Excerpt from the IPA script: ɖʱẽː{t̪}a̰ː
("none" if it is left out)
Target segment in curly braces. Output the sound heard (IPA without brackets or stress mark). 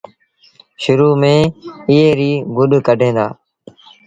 d̪